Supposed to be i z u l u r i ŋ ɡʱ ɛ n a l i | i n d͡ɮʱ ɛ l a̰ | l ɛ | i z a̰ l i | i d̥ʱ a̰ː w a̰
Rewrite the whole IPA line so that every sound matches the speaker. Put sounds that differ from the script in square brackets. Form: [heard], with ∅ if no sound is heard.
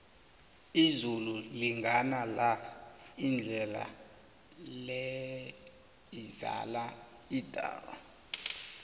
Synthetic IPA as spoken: i z u l u [l] i ŋ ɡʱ [a] n a l [a] | i n d͡ɮʱ ɛ l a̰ | l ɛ | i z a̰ l [a] | i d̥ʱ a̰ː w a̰

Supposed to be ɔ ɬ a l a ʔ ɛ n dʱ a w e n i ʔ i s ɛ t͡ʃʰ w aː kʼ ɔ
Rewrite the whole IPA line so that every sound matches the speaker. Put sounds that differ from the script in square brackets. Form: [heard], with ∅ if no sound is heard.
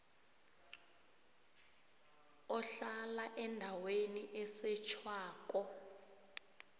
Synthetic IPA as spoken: ɔ ɬ a l a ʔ ɛ n dʱ a w e n i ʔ [ɛ] s ɛ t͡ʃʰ w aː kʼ ɔ

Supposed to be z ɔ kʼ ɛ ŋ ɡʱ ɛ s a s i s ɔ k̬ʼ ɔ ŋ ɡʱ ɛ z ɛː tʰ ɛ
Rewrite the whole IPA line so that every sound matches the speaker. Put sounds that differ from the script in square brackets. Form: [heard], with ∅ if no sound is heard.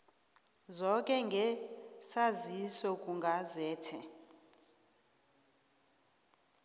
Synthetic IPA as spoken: z ɔ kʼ ɛ ŋ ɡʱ ɛ s a [z] i s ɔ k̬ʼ [u] ŋ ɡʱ [a] z ɛː tʰ ɛ

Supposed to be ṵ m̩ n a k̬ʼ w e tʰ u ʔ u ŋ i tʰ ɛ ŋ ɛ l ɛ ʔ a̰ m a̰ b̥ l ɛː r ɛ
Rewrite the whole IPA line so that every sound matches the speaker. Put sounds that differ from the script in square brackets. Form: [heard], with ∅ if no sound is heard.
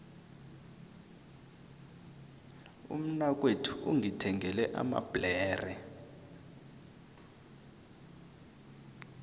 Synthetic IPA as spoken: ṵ m̩ n a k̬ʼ w e tʰ u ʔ u ŋ i tʰ ɛ ŋ ɛ l ɛ ʔ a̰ m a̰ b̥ l ɛː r ɛ

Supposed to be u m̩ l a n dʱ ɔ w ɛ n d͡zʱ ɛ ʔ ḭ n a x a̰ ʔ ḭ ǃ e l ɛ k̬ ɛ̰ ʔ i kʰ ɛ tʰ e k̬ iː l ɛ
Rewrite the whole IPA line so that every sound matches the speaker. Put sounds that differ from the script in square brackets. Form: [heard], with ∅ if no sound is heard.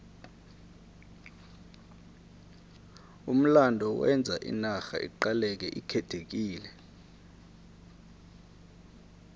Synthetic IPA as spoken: u m̩ l a n dʱ ɔ w ɛ n d͡zʱ [a] ʔ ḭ n a x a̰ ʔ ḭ ǃ [a] l ɛ k̬ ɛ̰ ʔ i kʰ ɛ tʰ e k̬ iː l ɛ

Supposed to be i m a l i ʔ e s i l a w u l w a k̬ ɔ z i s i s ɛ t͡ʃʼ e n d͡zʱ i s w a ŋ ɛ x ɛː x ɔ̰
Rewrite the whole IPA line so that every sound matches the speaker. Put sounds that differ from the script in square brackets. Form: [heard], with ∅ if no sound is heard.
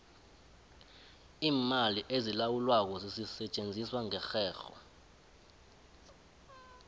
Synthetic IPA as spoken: [iː] m a l i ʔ e [z] i l a w u l w a k̬ ɔ z i s i s ɛ t͡ʃʼ e n d͡zʱ i s w a ŋ ɛ x ɛː x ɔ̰

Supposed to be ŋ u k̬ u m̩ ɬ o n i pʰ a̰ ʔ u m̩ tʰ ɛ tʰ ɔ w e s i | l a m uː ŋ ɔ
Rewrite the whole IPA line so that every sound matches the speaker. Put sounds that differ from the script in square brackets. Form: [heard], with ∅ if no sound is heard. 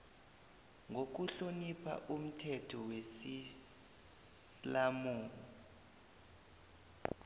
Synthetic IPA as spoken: ŋ [o] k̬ u [∅] ɬ o n i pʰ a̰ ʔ u m̩ tʰ ɛ tʰ ɔ w e s i | l a m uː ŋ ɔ

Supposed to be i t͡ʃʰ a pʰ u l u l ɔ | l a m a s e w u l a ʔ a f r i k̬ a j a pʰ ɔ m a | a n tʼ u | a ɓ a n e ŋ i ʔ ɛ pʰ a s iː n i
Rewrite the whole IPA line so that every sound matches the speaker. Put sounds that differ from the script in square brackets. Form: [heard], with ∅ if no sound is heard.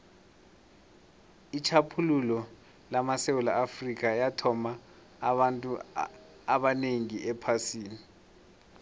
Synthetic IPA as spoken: i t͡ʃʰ a pʰ u l u l ɔ | l a m a s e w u l a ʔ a f r i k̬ a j a [tʰ] ɔ m a | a n tʼ u | a ɓ a n e ŋ i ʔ ɛ pʰ a s iː n i

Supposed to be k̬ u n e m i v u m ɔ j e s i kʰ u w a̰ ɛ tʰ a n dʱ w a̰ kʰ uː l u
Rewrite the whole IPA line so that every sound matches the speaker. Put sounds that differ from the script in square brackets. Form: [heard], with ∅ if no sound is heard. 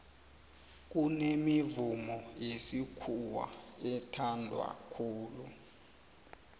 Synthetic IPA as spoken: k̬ u n e m i v u m ɔ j e s i kʰ u w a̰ ɛ tʰ a n dʱ w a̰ kʰ uː l u

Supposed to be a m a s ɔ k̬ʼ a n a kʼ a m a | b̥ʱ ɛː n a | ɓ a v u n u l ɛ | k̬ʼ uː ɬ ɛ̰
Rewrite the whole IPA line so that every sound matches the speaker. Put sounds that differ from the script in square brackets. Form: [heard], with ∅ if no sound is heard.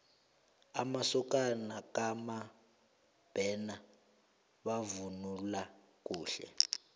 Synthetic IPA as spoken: a m a s ɔ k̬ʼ a n a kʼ a m a | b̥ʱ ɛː n a | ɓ a v u n u l [a] | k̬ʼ uː ɬ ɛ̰

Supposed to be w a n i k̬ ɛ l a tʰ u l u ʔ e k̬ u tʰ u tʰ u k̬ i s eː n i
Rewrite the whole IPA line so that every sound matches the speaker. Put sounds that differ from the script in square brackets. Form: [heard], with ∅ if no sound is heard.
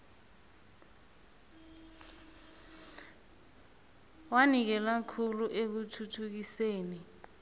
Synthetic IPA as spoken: w a n i k̬ ɛ l a [kʰ] u l u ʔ e k̬ u tʰ u tʰ u k̬ i s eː n i

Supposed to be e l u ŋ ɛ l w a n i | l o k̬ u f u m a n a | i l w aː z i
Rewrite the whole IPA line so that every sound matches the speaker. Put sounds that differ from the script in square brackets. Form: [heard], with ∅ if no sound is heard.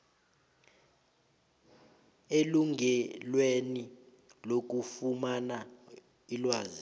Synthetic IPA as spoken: e l u ŋ ɛ l w [e] n i | l o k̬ u f u m a n a | i l w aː z i

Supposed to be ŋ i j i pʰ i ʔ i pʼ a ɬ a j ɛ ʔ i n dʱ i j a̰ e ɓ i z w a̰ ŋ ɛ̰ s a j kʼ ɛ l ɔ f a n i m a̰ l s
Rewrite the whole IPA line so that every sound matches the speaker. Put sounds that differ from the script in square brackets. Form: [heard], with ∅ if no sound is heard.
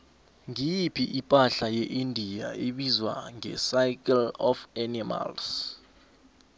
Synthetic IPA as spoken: ŋ i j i pʰ i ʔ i pʼ a ɬ a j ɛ ʔ i n dʱ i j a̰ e ɓ i z w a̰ ŋ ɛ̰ s a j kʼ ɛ l ɔ f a n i m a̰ l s

